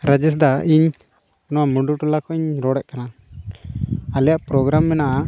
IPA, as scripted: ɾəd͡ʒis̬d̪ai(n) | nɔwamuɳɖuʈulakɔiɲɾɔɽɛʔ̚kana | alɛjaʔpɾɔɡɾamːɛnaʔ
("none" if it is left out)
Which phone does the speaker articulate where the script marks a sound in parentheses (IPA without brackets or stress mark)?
ɲ